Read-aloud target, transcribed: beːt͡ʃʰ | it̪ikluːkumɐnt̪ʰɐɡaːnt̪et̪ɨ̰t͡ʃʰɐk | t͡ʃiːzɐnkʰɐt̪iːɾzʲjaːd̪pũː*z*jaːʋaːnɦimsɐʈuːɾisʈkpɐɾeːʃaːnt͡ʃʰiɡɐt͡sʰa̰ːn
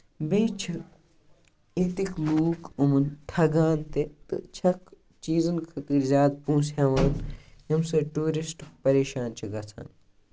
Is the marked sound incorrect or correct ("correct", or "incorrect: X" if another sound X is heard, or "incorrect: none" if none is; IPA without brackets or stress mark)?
incorrect: s